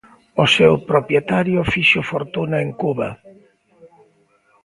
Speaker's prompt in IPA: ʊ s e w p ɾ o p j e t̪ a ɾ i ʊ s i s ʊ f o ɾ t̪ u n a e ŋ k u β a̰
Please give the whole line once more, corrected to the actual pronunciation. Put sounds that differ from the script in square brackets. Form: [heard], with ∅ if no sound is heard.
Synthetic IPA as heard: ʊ s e w p ɾ o p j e t̪ a ɾ [j] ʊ [f] i [ʃ] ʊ f o ɾ t̪ u n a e ŋ k u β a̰